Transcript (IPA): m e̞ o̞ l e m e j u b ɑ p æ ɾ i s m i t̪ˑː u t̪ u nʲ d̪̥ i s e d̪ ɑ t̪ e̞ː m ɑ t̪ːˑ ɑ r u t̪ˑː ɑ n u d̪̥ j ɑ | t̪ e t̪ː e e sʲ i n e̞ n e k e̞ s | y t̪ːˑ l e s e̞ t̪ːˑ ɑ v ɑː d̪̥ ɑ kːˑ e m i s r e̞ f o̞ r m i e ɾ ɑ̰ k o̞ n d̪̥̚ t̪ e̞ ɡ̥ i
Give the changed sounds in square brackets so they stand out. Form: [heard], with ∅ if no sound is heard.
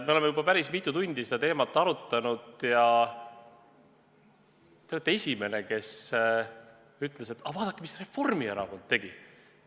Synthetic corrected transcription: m e̞ o̞ l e m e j u b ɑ p æ ɾ i s m i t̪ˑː u t̪ u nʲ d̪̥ i s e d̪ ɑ t̪ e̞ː m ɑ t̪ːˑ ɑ [ɾ] u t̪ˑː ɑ n u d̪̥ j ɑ | t̪ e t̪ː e e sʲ i [m] e̞ n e k e̞ s | y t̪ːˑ l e s e̞ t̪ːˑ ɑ v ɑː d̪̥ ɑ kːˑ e m i s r e̞ f o̞ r m i e ɾ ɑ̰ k o̞ n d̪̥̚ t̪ e̞ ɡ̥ i